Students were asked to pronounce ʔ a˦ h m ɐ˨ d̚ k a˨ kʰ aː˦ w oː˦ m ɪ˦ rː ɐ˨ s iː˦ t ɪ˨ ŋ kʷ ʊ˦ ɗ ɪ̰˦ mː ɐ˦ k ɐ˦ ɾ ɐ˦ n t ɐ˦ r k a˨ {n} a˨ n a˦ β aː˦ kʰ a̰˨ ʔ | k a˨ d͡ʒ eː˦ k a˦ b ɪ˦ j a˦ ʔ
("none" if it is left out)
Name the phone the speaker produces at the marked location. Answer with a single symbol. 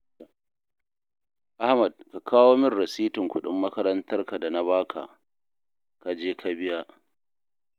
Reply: d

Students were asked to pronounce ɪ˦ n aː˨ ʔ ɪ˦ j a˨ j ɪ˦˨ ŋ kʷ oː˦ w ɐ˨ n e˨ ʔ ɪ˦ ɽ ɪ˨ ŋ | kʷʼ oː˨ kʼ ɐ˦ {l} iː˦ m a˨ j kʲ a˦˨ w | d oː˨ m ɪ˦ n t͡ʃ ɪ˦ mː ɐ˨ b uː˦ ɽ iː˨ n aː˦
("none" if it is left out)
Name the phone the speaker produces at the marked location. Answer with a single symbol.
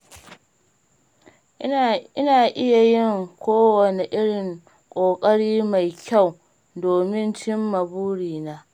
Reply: ɽ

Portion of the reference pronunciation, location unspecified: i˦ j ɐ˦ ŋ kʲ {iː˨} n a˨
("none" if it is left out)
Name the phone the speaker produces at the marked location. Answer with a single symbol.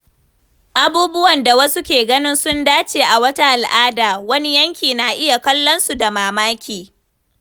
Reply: iː˨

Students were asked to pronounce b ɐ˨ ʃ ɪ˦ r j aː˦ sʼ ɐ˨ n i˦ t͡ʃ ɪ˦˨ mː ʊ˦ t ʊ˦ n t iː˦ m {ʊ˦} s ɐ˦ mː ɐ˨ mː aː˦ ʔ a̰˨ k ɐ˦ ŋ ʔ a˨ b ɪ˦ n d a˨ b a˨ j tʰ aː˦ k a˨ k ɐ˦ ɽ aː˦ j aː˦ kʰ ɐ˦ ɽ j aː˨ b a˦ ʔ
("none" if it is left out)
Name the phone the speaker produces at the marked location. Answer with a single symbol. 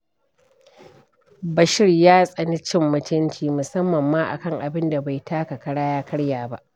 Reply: ʊ˨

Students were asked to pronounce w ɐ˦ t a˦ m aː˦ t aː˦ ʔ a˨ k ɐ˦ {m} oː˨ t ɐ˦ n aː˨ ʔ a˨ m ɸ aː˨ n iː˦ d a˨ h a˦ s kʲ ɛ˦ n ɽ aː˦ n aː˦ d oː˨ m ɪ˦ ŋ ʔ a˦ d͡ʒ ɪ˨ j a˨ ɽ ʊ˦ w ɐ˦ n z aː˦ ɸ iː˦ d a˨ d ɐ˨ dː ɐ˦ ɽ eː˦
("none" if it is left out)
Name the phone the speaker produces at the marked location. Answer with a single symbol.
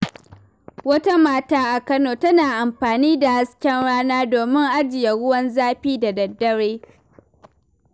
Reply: n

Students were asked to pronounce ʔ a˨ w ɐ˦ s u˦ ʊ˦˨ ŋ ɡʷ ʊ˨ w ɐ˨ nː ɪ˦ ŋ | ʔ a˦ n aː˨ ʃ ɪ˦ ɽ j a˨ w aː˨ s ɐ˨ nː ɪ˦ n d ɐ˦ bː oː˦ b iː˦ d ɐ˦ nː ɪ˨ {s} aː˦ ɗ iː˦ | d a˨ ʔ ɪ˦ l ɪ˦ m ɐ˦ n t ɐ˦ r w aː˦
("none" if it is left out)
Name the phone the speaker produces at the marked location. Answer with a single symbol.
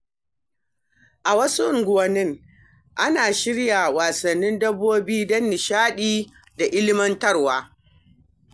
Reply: ʃ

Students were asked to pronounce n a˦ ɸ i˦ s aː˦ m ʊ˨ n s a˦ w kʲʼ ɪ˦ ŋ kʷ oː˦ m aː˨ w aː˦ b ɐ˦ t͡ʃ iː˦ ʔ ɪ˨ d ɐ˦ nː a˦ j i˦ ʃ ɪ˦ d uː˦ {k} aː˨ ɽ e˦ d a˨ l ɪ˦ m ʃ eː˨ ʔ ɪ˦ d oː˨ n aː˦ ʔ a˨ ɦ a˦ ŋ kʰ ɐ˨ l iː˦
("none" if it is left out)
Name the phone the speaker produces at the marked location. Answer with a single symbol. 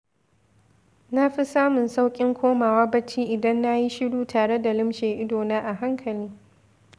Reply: t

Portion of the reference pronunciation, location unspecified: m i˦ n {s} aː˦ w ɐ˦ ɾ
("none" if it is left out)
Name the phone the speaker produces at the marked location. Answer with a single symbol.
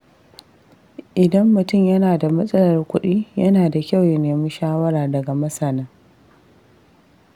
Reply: ʃ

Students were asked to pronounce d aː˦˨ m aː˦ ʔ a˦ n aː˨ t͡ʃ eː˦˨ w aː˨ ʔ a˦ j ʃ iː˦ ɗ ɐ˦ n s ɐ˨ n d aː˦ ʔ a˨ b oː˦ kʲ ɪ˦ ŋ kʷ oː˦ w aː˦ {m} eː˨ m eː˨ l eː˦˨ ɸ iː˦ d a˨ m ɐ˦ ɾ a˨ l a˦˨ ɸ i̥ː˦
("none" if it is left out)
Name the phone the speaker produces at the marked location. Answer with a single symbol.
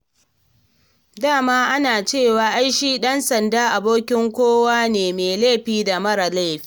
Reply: n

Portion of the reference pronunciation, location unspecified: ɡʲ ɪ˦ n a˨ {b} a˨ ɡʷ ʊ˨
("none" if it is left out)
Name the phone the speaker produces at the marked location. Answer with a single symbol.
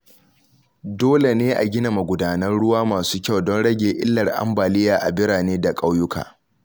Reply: m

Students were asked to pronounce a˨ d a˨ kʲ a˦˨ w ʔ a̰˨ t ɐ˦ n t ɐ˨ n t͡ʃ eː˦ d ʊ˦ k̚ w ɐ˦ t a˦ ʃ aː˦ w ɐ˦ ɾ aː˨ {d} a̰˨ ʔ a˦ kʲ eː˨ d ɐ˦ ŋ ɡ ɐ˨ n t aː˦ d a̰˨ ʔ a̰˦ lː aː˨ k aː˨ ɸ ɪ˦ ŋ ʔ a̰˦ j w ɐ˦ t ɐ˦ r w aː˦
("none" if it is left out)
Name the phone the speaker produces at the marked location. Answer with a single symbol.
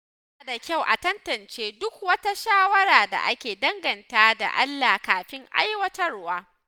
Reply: d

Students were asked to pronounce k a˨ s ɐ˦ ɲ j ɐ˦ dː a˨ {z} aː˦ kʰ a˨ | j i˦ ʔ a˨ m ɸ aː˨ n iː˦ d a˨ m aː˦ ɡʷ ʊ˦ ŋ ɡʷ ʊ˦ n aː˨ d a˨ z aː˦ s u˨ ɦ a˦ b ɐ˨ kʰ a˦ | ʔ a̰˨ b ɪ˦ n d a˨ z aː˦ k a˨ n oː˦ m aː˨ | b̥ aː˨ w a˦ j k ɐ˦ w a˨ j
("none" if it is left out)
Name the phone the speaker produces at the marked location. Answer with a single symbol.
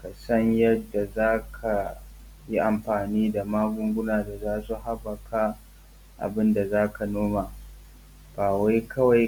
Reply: z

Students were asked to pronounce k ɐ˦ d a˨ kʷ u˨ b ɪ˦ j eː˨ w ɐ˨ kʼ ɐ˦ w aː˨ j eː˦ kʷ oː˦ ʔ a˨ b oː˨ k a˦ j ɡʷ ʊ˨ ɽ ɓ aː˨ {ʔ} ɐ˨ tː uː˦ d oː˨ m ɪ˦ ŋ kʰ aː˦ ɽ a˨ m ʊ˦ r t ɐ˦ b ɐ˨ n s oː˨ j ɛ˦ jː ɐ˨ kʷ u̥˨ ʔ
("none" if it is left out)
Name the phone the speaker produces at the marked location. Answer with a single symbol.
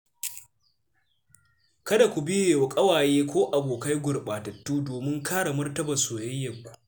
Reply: t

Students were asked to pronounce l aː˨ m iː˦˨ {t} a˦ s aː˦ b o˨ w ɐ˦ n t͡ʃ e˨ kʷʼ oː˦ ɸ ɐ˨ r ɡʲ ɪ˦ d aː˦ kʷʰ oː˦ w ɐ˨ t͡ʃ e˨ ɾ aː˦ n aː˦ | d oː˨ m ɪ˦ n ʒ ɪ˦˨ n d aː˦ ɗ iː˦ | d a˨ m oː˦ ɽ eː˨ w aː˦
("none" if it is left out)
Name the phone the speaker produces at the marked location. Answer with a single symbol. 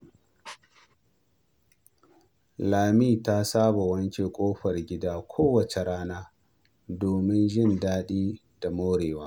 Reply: t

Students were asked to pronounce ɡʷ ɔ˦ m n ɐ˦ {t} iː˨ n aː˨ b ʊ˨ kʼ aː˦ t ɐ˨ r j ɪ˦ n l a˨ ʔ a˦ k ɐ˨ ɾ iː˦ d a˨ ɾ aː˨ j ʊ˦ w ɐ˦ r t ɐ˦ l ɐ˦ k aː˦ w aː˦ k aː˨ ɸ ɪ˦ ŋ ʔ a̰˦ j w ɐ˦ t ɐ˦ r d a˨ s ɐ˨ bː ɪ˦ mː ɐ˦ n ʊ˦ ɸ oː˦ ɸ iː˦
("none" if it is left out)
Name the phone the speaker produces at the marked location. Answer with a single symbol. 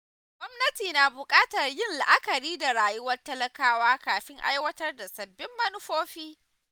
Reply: t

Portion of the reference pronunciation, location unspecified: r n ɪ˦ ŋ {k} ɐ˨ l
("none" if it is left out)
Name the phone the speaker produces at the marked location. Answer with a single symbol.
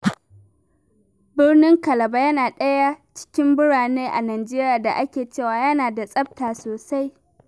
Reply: k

